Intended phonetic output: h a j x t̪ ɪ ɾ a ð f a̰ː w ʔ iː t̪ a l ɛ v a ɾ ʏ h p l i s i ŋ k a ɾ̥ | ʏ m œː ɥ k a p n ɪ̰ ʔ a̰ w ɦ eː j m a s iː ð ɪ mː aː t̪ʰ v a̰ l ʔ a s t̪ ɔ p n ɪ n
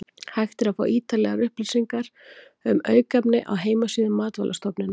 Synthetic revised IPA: h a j x t̪ ɪ ɾ a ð f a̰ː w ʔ iː t̪ a l ɛ ɣ a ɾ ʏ h p l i s i ŋ k a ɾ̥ | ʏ m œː ɥ k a p n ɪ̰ ʔ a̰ w ɦ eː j m a s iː ð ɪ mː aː t̪ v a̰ l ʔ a s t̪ ɔ p n ɪ n